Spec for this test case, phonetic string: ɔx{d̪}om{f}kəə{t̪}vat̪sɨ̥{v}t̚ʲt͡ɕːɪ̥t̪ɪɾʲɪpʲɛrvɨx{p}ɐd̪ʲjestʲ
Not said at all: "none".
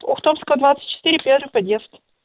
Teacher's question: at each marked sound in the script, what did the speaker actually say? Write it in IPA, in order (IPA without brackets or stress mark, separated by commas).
t̪, s, d̪, none, p